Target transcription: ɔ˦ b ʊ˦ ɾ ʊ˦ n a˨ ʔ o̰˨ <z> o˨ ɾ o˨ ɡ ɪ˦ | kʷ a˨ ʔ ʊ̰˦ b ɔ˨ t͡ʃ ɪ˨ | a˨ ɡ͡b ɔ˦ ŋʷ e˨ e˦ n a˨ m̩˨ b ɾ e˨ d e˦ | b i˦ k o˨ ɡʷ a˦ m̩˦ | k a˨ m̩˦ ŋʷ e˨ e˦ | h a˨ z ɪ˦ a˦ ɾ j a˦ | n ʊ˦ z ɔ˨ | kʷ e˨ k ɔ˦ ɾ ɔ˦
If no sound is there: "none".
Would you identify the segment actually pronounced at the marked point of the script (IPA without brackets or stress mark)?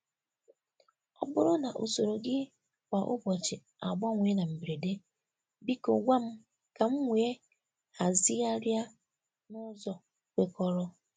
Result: s